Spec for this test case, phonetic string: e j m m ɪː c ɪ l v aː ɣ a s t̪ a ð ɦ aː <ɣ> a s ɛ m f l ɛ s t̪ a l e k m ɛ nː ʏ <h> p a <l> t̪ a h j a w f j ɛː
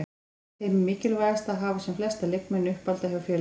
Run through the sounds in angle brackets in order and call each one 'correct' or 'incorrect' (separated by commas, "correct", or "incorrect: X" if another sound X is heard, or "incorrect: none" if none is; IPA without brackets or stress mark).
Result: incorrect: v, correct, correct